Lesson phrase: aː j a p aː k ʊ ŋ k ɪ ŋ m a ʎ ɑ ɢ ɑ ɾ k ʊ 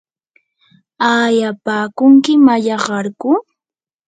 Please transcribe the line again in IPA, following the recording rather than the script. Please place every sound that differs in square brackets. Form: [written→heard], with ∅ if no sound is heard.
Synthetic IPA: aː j a p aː k ʊ ŋ k ɪ [ŋ→∅] m a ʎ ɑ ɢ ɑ ɾ k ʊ